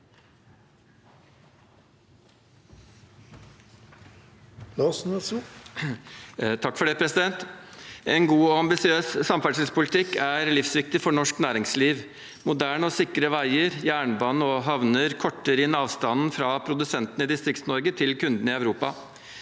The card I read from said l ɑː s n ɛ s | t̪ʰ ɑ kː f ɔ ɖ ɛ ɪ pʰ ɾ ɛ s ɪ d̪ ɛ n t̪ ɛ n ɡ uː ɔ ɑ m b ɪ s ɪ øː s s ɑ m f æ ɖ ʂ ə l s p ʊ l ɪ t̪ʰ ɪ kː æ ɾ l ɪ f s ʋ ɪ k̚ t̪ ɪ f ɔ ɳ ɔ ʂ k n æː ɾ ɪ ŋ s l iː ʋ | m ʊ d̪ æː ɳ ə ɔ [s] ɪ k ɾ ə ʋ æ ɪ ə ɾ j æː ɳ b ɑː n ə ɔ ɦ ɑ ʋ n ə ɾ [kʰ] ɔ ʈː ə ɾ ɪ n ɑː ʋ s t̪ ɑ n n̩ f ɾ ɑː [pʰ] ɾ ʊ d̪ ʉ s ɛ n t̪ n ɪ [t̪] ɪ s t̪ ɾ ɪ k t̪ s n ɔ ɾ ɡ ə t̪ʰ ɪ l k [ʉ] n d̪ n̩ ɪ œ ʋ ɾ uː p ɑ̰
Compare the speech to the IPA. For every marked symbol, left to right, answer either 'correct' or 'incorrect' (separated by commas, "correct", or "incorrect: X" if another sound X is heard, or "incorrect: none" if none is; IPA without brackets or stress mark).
correct, correct, correct, incorrect: d̪, correct